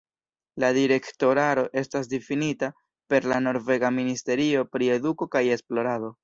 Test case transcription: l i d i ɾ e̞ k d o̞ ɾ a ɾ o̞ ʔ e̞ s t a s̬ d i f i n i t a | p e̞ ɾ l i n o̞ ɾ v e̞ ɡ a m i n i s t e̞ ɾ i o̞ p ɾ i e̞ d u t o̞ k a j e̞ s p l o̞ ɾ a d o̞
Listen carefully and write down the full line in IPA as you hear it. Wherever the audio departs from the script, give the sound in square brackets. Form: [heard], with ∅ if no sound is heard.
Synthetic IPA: l [a] d i ɾ e̞ k [t] o̞ ɾ a ɾ o̞ ʔ e̞ s t a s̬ d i f i n i t a | p e̞ ɾ l [a] n o̞ ɾ v e̞ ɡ a m i n i s t e̞ ɾ i o̞ p ɾ i e̞ d u [k] o̞ k a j e̞ s p l o̞ ɾ a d o̞

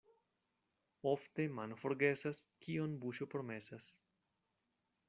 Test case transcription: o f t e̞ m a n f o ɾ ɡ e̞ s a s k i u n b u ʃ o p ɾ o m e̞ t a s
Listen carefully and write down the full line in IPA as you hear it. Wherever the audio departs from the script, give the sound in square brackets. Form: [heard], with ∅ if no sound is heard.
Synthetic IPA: o f t e̞ m a n f o ɾ ɡ e̞ s a s k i [o] n b u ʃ o p ɾ o m e̞ [s] a s

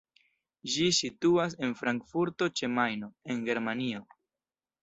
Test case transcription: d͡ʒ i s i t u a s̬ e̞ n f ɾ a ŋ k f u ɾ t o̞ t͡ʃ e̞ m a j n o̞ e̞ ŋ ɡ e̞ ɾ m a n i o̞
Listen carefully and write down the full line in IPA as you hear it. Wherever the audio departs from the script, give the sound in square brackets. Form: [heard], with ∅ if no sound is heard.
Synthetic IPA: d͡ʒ i s i t u a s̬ e̞ n f ɾ a ŋ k f u ɾ t o̞ t͡ʃ e̞ m a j n o̞ e̞ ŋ ɡ e̞ ɾ m a n i o̞

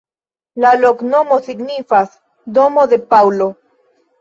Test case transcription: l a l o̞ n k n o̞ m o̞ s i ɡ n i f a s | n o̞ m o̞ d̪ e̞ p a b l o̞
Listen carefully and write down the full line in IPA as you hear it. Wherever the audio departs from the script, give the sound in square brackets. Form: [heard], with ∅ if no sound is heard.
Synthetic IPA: l a l o̞ [∅] k n o̞ m o̞ s i ɡ n i f a s | [d] o̞ m o̞ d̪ e̞ p a [w] l o̞

